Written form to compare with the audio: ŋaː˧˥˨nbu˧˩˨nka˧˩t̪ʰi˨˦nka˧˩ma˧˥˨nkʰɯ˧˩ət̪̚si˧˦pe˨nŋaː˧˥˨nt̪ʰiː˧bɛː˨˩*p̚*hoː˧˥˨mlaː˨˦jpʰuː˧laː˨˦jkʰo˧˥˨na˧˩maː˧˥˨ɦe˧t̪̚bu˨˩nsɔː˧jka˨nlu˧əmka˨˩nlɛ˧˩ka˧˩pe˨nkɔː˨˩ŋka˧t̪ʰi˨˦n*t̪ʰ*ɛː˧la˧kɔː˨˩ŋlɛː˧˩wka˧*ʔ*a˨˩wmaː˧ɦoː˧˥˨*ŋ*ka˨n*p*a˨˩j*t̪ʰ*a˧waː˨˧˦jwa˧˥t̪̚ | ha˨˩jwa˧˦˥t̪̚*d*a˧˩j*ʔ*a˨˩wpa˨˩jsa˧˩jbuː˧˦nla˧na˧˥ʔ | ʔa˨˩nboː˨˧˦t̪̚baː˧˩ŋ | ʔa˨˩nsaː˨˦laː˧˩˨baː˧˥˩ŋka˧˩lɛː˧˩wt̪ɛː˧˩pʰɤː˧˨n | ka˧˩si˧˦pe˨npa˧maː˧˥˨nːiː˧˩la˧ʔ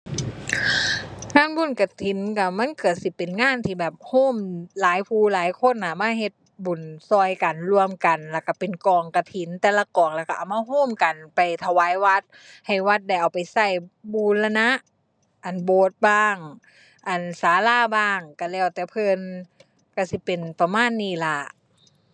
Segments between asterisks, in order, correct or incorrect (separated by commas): correct, incorrect, correct, incorrect, correct, correct, correct, correct